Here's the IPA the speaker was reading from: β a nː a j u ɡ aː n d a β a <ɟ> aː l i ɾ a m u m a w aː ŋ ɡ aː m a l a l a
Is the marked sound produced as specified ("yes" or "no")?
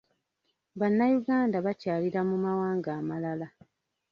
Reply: no